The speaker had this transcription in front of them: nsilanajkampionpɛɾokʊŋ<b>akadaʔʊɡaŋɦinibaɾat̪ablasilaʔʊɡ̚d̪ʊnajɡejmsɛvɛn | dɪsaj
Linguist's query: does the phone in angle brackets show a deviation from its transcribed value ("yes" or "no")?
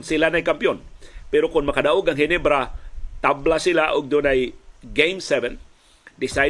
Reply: yes